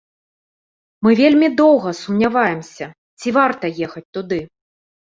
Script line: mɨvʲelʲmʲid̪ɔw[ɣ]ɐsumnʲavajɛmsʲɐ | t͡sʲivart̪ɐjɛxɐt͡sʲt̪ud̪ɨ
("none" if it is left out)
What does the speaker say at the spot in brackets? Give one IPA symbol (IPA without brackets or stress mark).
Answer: ɣ